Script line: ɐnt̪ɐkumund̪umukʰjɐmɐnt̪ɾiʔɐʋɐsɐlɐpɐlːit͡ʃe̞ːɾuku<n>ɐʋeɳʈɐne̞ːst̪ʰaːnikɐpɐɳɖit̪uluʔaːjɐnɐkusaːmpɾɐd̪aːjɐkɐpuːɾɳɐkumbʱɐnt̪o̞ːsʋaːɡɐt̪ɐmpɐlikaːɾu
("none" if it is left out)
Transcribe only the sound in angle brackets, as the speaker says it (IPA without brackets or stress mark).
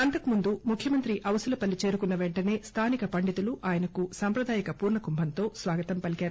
nː